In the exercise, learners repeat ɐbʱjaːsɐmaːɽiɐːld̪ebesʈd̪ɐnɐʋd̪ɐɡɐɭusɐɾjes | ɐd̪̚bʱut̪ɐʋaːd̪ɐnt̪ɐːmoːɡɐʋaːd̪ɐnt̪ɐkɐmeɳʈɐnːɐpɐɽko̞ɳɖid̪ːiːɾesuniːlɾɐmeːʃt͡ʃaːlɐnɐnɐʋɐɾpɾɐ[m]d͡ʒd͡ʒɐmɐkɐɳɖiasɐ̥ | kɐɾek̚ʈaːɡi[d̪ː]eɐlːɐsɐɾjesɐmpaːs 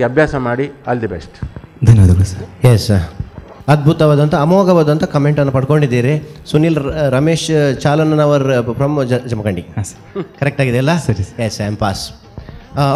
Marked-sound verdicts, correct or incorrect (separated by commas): correct, incorrect